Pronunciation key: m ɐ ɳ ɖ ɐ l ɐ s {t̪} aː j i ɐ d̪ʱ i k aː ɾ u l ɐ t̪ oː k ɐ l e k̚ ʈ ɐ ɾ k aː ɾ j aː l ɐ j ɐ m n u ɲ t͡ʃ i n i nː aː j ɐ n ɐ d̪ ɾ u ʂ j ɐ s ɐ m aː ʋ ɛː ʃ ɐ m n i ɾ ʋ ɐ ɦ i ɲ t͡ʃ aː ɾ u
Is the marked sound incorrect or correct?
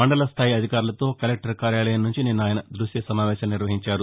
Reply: incorrect